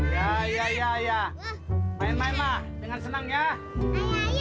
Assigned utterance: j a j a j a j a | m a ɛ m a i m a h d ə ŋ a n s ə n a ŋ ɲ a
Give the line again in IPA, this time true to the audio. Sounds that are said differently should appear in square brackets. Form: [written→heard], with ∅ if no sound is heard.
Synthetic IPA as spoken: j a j a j a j a | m a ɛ m a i m a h d ə ŋ a n s ə n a ŋ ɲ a